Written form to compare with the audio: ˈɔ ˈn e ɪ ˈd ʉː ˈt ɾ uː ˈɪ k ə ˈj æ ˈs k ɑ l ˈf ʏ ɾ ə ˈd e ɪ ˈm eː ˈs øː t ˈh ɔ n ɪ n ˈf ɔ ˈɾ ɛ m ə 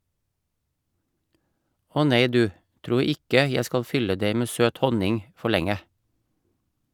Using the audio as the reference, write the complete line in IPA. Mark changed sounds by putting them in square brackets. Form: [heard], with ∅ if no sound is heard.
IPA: ˈɔ ˈn e ɪ ˈd ʉː ˈt ɾ uː ˈɪ k ə ˈj æ ˈs k ɑ l ˈf ʏ [l] ə ˈd e ɪ ˈm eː ˈs øː t ˈh ɔ n ɪ [ŋ] ˈf ɔ [ˈɭ] ɛ [ŋ] ə